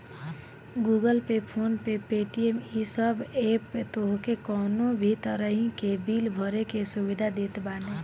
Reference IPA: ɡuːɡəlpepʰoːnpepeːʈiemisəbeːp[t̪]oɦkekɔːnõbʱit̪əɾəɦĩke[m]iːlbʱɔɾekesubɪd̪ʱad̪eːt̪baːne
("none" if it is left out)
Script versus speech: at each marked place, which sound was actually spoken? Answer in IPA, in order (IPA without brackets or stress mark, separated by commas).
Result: t̪, b